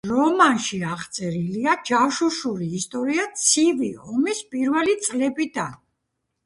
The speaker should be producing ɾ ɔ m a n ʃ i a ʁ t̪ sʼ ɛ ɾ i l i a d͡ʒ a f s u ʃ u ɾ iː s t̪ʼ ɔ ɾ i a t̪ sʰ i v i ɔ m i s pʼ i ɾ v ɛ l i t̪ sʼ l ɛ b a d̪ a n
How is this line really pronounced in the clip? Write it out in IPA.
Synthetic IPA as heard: ɾ ɔ m a n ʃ i a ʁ t̪ sʼ ɛ ɾ i l i a d͡ʒ a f ʃ u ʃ u ɾ iː s t̪ʼ ɔ ɾ i a t̪ sʰ i v i ɔ m i s pʼ i ɾ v ɛ l i t̪ sʼ l ɛ b i d̪ a n